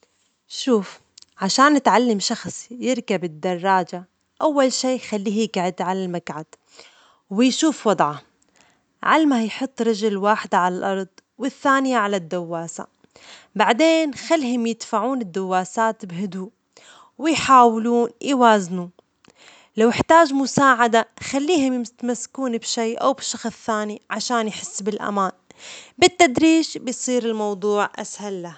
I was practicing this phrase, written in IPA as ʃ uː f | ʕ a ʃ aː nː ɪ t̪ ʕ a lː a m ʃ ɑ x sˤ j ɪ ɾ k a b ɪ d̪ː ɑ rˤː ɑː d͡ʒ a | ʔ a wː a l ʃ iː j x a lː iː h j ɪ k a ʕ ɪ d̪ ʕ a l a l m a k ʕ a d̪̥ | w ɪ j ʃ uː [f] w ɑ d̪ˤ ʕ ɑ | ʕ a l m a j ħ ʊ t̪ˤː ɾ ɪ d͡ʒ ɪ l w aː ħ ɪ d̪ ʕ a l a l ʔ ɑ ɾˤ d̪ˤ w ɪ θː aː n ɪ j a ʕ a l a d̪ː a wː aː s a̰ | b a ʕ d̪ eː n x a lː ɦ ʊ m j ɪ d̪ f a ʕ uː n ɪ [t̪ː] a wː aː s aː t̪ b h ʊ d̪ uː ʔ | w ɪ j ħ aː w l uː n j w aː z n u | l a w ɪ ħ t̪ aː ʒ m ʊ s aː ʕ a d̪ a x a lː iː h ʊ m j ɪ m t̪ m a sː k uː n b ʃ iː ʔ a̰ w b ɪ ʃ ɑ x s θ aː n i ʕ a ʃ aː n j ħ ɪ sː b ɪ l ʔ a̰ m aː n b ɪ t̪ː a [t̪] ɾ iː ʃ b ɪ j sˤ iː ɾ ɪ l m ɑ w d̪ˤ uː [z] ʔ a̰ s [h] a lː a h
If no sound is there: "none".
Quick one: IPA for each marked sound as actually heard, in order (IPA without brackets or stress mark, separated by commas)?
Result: f, d̪ː, d̪, ʕ, h